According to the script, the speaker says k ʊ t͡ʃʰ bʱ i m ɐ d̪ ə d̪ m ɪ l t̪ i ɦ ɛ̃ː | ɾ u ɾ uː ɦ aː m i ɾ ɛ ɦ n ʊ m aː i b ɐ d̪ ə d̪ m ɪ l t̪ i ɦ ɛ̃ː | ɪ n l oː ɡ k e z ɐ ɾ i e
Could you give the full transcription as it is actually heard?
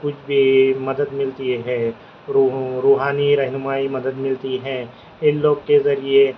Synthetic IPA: k ʊ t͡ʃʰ bʱ i m ɐ d̪ ə d̪ m ɪ l t̪ i ɦ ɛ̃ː | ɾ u ɾ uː ɦ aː n i ɾ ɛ ɦ n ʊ m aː i m ɐ d̪ ə d̪ m ɪ l t̪ i ɦ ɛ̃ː | ɪ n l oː ɡ k e z ɐ ɾ i e